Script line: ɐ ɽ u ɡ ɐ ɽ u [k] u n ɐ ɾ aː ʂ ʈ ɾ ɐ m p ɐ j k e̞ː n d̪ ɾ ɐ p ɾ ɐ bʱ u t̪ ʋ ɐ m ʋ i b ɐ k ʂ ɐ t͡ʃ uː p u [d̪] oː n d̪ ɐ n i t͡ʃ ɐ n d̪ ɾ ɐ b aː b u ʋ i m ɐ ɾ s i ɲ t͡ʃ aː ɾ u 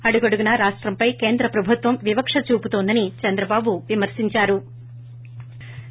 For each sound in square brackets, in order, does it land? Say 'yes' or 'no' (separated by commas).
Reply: no, no